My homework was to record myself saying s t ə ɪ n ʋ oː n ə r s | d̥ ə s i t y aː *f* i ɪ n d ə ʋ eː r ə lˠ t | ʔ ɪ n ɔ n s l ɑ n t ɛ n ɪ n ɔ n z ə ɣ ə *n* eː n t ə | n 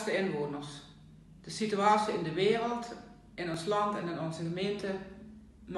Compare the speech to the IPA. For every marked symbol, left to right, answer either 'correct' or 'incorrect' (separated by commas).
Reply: incorrect, incorrect